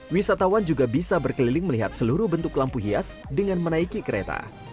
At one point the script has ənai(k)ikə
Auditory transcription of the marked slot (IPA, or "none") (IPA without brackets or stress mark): k